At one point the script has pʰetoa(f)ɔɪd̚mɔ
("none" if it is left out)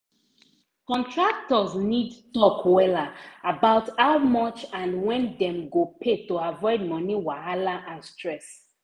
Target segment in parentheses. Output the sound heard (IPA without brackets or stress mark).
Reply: v